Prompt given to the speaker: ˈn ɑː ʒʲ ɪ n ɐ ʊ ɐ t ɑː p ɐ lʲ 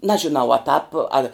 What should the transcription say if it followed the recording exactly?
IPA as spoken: ˈn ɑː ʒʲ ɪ n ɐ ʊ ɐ t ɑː p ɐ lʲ